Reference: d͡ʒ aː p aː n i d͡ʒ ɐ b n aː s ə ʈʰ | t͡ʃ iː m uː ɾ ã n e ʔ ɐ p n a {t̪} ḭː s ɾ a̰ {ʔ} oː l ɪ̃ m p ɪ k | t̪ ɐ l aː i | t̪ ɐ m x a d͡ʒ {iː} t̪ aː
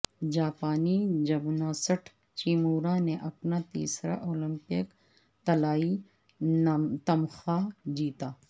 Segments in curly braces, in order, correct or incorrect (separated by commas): correct, correct, correct